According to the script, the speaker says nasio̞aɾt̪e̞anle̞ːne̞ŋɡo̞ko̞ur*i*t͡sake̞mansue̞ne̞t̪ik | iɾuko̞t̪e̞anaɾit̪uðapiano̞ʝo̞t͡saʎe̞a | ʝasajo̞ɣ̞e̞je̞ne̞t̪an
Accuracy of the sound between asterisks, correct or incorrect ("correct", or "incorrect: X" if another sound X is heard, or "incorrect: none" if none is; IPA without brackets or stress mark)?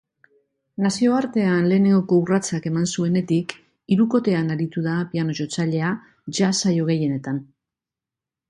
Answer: incorrect: a